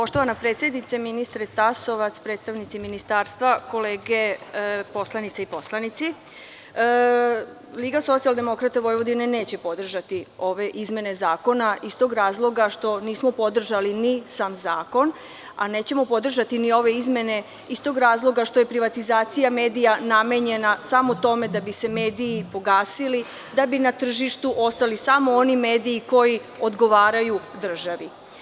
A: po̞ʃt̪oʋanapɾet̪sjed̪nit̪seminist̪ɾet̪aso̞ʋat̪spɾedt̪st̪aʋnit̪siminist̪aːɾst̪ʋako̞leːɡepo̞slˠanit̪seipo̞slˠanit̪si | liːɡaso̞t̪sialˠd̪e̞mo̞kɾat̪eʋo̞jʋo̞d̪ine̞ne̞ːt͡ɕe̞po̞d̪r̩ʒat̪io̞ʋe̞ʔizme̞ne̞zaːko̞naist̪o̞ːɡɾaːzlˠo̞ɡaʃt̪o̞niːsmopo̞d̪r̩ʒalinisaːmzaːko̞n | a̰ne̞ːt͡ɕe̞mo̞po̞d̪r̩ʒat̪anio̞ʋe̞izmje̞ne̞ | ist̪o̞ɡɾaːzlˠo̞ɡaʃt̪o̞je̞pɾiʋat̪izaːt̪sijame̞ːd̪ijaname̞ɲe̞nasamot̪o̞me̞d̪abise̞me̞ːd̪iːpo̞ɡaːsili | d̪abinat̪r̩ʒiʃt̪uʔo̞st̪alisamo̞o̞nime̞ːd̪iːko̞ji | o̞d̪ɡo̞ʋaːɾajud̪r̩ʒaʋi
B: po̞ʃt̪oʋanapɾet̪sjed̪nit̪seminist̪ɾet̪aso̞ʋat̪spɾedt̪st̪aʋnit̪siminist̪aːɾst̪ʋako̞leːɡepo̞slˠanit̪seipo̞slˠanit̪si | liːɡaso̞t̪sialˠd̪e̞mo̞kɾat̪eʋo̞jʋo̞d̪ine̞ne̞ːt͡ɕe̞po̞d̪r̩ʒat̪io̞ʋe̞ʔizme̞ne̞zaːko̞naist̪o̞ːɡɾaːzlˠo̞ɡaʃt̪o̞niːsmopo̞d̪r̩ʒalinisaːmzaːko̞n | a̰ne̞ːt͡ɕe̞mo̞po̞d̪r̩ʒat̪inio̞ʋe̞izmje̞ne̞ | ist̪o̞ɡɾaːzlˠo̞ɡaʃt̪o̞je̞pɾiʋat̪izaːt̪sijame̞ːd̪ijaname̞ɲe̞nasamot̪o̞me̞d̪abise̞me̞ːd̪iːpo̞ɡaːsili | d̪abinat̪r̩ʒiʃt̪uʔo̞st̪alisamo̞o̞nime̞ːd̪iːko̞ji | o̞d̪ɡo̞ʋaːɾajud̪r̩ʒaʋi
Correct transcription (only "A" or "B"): B